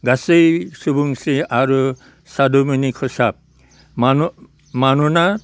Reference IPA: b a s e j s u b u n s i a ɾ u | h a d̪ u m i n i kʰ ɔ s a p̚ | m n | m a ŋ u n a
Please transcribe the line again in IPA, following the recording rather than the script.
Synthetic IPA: ɡ a s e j s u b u ŋ s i a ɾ u | s a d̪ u m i n i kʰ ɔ s a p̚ | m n | m a n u n a

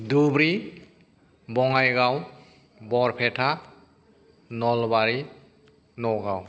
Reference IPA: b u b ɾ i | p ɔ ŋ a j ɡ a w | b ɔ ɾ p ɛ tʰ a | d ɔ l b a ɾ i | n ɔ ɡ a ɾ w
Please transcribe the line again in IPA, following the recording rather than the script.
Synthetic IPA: d u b ɾ i | b ɔ ŋ a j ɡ a w | b ɔ ɾ pʰ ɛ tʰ a | n ɔ l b a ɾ i | n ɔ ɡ a w

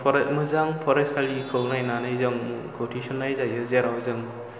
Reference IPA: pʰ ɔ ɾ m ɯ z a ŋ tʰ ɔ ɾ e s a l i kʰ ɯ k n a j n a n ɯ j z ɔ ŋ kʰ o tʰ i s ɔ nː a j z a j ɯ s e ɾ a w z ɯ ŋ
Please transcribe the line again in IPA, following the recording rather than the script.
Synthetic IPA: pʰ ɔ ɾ m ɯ z a ŋ pʰ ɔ ɾ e s a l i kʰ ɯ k n a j n a n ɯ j z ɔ ŋ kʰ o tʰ i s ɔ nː a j z a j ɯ z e ɾ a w z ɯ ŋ

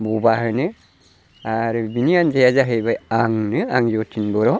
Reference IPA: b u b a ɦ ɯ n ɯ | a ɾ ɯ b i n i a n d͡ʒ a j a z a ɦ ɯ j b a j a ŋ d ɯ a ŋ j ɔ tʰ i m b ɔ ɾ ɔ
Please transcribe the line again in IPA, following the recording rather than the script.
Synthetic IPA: b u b a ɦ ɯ n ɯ | a ɾ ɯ b i n i a n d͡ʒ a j a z a ɦ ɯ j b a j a ŋ n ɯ a ŋ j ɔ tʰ i n b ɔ ɾ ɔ

